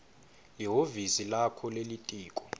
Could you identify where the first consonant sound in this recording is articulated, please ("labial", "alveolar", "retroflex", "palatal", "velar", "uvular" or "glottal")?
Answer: alveolar